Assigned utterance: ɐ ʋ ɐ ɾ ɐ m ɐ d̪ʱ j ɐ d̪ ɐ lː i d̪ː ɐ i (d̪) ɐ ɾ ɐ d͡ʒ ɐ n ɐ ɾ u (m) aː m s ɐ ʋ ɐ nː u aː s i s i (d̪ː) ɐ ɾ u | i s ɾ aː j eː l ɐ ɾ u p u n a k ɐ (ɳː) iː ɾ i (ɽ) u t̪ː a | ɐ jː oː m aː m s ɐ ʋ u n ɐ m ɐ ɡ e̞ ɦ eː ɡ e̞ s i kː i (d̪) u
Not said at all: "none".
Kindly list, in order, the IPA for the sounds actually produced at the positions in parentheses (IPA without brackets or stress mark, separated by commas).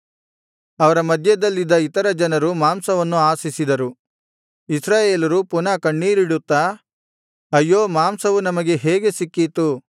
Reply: t̪, m, d̪, ɳː, ɽ, t̪